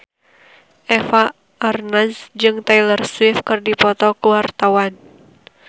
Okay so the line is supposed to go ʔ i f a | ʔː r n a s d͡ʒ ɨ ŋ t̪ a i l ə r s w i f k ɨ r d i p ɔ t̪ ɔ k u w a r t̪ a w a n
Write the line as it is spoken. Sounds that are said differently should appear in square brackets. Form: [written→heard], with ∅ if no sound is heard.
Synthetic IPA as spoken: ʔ [i→ɛ] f a | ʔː r n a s d͡ʒ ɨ ŋ t̪ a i l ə r s w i f k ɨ r d i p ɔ t̪ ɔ k u w a r t̪ a w a n